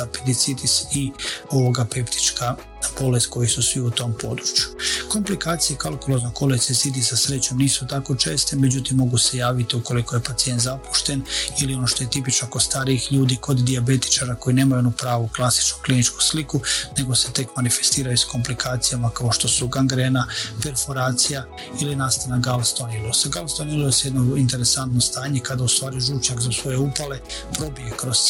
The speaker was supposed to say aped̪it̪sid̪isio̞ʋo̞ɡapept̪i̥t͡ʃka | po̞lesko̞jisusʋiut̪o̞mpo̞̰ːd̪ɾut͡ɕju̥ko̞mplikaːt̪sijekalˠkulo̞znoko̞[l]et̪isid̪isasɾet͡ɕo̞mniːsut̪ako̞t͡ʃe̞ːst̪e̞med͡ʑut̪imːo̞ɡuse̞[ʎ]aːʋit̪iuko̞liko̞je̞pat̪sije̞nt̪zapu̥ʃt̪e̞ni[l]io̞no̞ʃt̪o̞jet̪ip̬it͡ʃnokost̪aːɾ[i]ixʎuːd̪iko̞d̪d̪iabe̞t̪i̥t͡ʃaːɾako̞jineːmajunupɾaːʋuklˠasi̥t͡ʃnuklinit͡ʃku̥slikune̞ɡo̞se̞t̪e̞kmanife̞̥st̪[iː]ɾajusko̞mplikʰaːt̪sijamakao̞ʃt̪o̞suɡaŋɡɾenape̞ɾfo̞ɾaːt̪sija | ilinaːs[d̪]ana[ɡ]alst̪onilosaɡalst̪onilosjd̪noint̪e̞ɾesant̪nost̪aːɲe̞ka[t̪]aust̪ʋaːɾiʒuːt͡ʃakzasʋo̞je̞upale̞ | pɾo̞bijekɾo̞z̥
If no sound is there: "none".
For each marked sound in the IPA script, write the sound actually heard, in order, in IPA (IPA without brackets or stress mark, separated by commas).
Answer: l, j, l, i, iː, t̪, ɡ, d̪